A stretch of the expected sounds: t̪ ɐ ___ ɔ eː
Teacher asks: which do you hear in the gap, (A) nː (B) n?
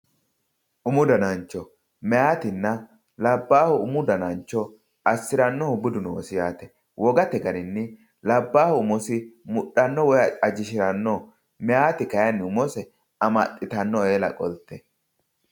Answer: A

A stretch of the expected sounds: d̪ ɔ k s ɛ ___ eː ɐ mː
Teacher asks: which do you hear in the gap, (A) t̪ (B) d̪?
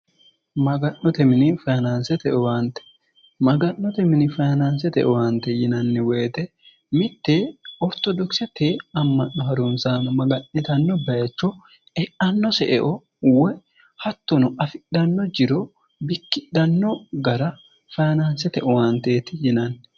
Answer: A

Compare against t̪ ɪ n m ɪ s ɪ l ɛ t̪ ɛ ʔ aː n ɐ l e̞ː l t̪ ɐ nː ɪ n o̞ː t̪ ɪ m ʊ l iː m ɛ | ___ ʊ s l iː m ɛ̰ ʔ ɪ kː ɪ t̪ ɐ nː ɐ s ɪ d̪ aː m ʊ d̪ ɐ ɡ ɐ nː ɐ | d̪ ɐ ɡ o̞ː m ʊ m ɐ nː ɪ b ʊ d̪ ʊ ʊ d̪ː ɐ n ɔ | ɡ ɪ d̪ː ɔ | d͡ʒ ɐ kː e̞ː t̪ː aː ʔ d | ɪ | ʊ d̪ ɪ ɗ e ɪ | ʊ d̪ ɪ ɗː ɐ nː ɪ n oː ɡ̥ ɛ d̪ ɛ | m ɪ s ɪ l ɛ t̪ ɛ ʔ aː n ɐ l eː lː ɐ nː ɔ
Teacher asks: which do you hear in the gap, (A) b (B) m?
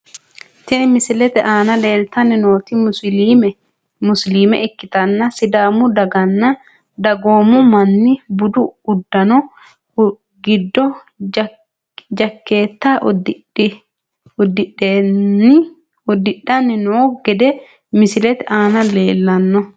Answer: B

